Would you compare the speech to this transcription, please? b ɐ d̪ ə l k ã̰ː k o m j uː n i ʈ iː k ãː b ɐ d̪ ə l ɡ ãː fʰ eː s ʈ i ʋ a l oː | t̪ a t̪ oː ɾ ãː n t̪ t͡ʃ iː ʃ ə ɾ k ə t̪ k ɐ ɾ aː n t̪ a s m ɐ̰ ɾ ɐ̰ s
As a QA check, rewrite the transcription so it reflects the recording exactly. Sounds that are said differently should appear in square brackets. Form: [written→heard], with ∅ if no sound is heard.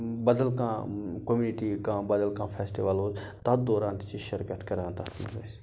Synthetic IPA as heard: b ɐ d̪ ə l k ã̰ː k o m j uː n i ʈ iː k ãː b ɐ d̪ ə l [ɡ→k] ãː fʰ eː s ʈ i ʋ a l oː | t̪ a [t̪→d̪] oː ɾ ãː n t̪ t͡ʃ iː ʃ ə ɾ k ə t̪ k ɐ ɾ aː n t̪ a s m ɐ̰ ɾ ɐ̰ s